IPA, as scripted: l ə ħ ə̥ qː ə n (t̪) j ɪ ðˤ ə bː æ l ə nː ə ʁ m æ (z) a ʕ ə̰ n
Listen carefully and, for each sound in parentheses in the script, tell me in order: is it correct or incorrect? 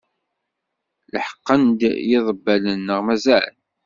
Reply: incorrect, correct

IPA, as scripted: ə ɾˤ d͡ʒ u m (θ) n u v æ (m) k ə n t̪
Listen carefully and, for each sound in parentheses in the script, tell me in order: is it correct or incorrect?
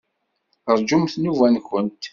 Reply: correct, incorrect

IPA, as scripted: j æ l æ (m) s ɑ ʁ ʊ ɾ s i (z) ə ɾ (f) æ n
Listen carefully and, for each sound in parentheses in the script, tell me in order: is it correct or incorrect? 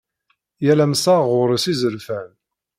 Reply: correct, correct, correct

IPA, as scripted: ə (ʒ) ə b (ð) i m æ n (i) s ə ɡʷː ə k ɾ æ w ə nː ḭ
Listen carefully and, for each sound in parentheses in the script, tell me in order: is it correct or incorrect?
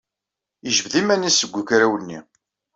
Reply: correct, correct, correct

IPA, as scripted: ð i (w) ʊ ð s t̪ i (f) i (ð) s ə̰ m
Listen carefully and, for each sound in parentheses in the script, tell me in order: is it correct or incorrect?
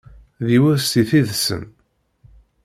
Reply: correct, incorrect, correct

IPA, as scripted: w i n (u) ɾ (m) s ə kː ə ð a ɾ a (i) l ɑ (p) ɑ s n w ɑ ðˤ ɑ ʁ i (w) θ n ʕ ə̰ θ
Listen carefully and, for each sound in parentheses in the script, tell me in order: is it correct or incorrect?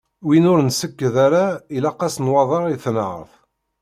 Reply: incorrect, incorrect, correct, incorrect, incorrect

